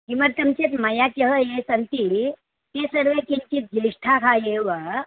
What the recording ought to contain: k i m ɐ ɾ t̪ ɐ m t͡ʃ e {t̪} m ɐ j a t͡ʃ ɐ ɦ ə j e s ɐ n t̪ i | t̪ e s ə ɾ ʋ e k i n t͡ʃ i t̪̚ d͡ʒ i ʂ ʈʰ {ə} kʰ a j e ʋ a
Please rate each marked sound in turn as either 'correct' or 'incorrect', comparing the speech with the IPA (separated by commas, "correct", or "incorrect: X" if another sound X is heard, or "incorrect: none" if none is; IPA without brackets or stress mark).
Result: correct, incorrect: a